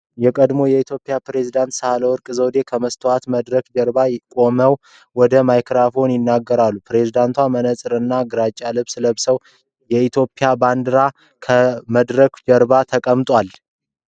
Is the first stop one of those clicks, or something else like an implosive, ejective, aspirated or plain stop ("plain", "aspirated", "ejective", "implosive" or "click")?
ejective